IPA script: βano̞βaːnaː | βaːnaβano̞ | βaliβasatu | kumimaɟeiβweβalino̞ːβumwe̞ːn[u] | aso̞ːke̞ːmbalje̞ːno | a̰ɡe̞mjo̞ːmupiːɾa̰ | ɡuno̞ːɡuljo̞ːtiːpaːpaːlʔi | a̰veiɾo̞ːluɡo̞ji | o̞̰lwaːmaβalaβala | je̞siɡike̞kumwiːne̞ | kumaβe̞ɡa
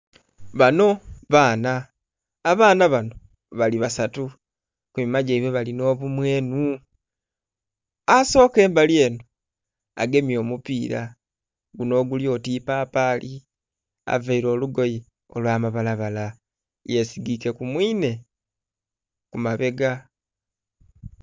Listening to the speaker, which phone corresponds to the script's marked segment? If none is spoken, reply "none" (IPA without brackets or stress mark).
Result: u